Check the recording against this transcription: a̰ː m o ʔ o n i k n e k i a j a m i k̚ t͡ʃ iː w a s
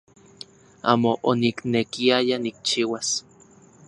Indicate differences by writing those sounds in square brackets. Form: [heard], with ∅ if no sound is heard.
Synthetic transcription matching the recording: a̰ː m o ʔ o n i k n e k i a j a [n] i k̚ t͡ʃ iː w a s